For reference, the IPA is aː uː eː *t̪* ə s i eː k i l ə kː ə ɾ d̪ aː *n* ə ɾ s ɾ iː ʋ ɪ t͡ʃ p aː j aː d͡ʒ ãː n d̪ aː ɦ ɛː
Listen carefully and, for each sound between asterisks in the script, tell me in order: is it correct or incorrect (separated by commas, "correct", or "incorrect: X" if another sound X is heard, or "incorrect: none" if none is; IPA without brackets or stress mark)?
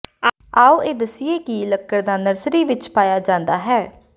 incorrect: d̪, correct